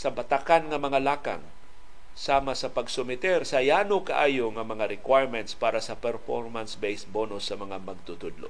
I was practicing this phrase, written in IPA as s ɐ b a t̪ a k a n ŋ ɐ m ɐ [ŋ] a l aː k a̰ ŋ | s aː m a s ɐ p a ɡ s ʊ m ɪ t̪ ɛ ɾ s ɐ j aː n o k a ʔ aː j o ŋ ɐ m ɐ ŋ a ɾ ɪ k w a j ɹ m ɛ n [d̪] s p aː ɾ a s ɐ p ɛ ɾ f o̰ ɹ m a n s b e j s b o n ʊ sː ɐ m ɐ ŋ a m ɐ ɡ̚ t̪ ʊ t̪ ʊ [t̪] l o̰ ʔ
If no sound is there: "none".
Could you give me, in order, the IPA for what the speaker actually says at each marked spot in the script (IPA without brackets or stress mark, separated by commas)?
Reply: ŋ, t̪, d̪